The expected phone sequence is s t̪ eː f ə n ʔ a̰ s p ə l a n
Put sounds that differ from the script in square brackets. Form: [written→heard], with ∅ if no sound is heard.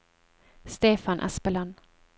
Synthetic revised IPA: s t̪ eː f [ə→a] n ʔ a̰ s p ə l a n